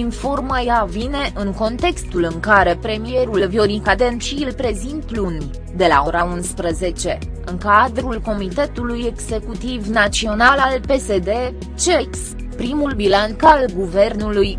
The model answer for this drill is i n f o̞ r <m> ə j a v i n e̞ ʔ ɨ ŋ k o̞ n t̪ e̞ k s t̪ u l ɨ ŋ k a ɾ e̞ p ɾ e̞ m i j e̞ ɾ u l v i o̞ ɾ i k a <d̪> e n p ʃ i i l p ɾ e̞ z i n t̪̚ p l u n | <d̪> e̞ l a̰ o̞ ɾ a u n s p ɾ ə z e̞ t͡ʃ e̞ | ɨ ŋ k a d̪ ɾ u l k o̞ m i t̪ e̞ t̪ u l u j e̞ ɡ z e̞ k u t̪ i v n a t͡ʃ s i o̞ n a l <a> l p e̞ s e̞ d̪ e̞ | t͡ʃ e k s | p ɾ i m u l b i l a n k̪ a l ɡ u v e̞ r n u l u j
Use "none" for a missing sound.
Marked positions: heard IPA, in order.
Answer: m, d̪, d̪, a

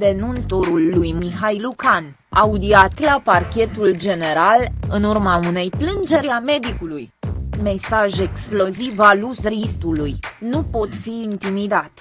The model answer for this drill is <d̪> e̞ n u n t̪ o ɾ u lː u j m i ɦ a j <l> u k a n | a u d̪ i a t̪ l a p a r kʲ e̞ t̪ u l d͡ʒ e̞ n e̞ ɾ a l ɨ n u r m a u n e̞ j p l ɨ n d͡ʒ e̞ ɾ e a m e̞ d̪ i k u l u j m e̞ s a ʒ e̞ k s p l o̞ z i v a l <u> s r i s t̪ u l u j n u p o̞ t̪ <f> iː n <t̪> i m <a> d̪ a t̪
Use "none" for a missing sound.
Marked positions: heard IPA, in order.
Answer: d̪, l, u, f, t̪, i

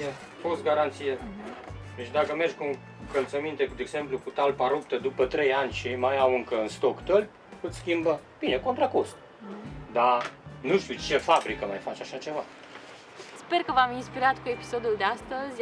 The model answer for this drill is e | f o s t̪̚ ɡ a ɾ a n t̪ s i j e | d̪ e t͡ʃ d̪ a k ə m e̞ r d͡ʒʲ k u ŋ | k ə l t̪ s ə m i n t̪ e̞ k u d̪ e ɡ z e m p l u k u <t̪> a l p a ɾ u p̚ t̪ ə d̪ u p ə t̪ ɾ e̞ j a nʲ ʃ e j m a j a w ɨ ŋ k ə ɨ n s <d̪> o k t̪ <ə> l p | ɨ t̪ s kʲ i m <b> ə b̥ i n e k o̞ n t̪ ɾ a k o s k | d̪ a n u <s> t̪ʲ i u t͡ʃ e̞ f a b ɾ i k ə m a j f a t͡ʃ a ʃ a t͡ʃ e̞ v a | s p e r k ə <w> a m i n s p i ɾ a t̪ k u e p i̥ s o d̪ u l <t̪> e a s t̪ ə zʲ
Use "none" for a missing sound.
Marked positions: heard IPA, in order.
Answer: t̪, t̪, ə, b, ʃ, v, d̪

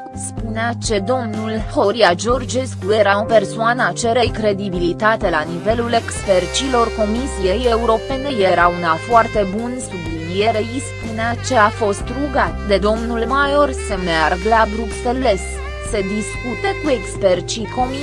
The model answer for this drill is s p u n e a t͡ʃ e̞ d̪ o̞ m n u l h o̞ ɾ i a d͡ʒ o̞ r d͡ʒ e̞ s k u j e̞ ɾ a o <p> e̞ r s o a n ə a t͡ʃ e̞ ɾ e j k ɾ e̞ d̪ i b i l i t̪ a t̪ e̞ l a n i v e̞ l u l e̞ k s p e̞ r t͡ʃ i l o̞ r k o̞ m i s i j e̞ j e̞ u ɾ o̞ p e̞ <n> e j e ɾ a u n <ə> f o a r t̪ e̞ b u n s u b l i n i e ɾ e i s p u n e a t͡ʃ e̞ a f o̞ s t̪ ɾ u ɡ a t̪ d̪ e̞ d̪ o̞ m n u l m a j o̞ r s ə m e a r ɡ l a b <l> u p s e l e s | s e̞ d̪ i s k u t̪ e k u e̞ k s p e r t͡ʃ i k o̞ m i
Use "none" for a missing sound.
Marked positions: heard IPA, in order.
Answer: p, n, a, ɾ

